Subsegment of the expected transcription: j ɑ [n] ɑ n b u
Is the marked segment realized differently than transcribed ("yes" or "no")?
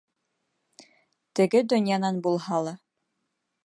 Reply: no